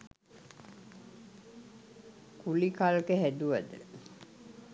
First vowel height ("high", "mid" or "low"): high